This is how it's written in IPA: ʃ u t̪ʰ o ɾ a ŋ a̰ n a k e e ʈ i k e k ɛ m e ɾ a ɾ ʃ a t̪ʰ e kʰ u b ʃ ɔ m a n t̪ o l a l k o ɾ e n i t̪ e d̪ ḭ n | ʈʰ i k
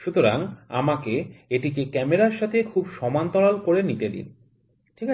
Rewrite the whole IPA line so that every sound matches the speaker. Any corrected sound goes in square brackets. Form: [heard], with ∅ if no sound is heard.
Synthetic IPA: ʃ u [t̪] o ɾ a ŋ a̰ [m] a k e e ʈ i k e k ɛ m e ɾ a ɾ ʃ a t̪ʰ e kʰ u b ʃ ɔ m a n t̪ [ɔ] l a l k o ɾ e n i t̪ e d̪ ḭ n | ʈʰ i k